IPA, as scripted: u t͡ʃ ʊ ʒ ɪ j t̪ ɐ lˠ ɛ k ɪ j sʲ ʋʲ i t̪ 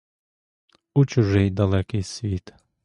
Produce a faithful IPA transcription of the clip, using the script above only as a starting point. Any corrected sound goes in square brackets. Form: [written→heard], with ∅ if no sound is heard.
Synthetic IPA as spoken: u t͡ʃ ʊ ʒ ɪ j [t̪→d̪] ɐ lˠ ɛ k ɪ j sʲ ʋʲ i t̪